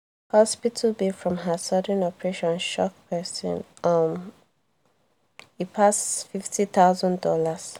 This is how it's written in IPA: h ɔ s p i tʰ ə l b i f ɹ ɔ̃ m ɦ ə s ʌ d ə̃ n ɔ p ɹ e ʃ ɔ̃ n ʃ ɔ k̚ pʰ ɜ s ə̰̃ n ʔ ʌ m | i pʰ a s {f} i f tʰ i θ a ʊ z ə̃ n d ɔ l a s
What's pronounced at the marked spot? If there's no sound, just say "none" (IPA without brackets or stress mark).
f